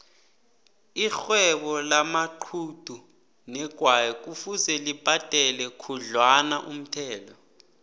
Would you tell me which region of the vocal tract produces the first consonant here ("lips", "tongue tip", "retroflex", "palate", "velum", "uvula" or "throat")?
velum